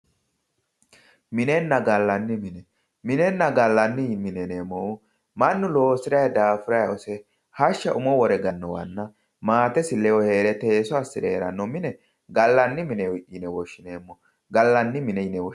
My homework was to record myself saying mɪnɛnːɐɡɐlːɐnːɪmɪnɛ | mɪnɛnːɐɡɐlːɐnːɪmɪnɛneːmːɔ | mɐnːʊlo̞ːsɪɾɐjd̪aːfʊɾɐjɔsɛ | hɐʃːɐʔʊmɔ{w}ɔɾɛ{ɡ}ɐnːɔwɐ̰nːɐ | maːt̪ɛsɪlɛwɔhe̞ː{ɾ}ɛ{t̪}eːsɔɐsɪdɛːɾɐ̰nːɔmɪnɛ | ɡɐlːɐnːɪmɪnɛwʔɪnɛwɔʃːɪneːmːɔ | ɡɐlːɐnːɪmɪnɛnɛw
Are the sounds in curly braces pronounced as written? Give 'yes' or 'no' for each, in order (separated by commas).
yes, yes, yes, yes